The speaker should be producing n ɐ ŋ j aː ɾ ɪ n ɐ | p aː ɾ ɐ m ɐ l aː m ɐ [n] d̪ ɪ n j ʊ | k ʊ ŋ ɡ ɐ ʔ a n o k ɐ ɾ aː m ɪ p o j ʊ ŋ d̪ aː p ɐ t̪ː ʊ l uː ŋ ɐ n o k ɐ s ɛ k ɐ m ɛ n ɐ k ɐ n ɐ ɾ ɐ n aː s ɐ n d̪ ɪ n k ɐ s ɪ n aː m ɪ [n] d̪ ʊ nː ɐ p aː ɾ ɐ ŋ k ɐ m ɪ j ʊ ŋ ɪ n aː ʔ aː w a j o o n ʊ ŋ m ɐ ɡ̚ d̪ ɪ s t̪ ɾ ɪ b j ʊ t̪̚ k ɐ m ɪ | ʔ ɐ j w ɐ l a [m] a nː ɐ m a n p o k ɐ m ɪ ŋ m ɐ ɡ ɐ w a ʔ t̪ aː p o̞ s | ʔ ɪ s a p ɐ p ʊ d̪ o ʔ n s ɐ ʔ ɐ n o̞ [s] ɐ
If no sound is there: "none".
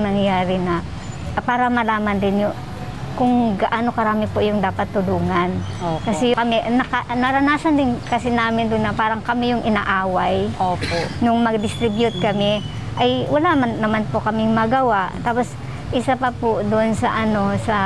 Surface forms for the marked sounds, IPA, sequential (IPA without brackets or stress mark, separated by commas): n, n, m, s